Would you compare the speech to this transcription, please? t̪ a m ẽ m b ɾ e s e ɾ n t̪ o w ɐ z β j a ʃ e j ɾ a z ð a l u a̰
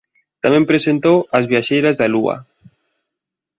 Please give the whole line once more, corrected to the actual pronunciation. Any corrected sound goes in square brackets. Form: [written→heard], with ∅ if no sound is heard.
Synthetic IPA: t̪ a m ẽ m [b→p] ɾ e s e [ɾ→∅] n t̪ o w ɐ z β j a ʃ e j ɾ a z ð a l u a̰